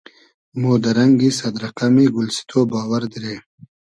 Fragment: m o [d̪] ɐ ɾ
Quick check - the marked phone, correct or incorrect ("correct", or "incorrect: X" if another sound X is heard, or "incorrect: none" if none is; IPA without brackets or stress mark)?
correct